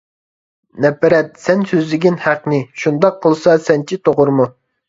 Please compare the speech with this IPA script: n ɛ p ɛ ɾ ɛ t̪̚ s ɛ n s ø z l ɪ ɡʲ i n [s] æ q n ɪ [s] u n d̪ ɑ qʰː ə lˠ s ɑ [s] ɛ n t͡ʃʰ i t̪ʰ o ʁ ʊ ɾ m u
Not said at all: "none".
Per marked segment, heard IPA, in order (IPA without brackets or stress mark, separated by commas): h, ʃ, s